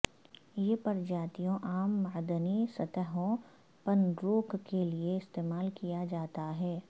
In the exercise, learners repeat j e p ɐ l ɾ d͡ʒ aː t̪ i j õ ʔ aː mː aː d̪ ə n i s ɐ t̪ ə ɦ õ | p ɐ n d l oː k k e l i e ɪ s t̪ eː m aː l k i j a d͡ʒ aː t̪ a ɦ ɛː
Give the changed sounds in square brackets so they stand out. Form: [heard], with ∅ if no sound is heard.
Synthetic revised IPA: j e p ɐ [∅] ɾ d͡ʒ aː t̪ i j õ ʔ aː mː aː d̪ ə n i s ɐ t̪ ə ɦ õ | p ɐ n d [ɾ] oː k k e l i e ɪ s t̪ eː m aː l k i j a d͡ʒ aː t̪ a ɦ ɛː